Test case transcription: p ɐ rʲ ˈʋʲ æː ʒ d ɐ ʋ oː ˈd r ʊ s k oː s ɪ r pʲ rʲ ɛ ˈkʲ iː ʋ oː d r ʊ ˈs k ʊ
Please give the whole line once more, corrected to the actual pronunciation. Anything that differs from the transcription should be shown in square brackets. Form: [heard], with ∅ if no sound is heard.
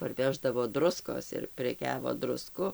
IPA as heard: p ɐ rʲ ˈʋʲ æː ʒ d ɐ ʋ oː ˈd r ʊ s k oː s ɪ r pʲ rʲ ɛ ˈkʲ [æː] ʋ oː d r ʊ ˈs k ʊ